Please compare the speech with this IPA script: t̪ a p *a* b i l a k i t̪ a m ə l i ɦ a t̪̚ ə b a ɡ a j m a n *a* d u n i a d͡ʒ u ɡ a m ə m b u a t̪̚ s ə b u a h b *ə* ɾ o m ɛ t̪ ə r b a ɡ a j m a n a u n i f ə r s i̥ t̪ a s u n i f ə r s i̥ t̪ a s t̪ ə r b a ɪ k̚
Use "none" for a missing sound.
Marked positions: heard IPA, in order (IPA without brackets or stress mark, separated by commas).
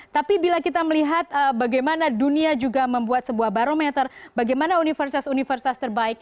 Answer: i, a, a